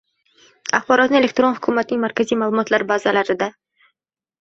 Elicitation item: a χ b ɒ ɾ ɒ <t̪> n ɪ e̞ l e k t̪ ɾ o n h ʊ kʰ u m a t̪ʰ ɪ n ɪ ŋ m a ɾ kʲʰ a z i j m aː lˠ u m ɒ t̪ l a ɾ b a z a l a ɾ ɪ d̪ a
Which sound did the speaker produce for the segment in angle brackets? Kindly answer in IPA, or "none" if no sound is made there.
t̪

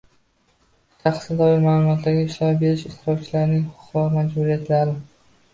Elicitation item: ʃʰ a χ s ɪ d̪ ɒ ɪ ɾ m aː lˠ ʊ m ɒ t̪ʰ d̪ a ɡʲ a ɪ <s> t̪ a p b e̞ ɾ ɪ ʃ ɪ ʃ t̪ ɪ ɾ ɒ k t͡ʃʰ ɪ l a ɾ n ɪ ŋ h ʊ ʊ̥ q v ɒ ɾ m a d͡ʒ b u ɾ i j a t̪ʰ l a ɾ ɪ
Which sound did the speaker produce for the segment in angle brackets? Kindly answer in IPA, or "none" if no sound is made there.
ʃ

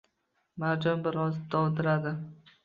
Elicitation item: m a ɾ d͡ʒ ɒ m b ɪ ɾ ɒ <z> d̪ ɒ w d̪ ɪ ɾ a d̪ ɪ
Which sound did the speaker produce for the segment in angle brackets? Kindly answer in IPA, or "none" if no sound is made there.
z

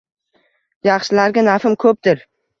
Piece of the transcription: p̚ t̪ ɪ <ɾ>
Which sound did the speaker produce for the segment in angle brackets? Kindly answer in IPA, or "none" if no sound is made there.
ɾ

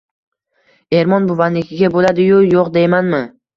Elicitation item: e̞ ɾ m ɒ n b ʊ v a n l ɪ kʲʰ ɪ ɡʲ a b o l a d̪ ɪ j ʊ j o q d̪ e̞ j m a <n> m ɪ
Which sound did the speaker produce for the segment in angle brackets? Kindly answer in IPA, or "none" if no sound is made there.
n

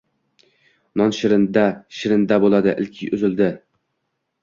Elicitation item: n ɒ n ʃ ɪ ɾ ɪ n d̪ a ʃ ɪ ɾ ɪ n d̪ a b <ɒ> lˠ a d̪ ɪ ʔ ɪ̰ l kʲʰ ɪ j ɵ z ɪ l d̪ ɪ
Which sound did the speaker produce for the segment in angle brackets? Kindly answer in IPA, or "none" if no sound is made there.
o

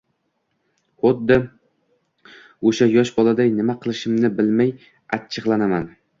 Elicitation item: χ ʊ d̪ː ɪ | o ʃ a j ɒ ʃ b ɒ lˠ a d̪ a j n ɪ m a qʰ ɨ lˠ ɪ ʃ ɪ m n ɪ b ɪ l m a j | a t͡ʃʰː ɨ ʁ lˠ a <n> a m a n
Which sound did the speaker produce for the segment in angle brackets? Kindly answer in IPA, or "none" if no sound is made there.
n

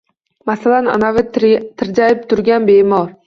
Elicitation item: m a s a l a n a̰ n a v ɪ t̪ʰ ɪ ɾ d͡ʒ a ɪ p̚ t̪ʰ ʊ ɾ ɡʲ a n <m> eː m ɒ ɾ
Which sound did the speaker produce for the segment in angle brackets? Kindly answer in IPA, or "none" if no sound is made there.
b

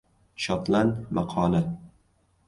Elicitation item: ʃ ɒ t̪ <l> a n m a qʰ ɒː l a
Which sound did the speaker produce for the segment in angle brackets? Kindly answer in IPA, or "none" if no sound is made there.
l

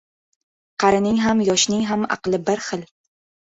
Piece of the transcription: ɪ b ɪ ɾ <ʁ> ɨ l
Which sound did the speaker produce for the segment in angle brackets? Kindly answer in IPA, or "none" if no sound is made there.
χ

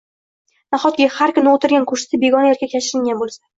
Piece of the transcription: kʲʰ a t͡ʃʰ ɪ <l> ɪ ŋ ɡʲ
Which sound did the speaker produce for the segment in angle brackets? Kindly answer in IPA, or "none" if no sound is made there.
ɾ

